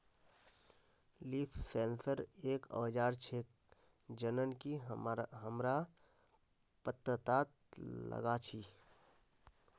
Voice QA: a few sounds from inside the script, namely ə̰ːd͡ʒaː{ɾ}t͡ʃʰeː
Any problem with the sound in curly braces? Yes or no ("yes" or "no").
no